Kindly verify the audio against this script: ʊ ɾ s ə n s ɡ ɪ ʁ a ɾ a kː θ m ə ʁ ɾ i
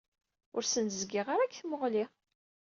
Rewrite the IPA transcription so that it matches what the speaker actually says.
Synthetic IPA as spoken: ʊ ɾ s ə n z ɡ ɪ ʁ a ɾ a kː θ m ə ʁ l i